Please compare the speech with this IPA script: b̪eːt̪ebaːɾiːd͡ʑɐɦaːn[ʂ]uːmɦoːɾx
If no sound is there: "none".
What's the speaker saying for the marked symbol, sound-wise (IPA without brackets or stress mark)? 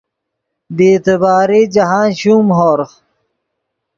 ɕ